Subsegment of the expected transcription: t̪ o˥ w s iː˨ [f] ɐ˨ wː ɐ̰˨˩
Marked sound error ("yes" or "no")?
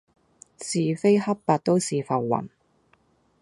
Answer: no